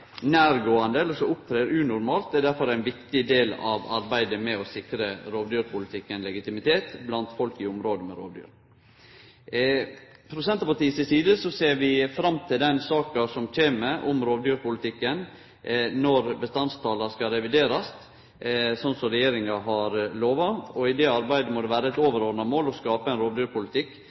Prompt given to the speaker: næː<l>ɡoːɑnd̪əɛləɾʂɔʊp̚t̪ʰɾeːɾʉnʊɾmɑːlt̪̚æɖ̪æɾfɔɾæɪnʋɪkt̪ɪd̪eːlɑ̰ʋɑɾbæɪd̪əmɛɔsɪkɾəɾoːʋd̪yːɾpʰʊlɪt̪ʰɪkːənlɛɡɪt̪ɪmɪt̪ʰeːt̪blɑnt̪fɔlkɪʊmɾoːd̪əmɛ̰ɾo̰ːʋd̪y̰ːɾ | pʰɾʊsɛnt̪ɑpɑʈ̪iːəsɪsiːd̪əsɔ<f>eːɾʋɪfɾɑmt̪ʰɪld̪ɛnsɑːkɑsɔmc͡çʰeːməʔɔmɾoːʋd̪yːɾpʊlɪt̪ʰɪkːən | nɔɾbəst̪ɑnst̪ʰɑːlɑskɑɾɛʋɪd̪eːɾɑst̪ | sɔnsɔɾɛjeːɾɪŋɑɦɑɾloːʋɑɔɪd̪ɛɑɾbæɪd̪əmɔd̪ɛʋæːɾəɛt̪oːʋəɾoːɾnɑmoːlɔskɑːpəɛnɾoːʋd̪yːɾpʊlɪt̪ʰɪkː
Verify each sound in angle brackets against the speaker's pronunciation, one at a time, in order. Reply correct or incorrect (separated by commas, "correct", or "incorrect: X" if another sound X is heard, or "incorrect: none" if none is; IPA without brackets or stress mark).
incorrect: ɾ, incorrect: s